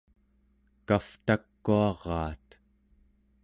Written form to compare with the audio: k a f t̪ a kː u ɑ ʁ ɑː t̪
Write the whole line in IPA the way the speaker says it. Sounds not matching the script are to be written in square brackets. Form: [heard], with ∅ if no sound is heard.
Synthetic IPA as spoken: k a f t̪ a kː u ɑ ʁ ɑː t̪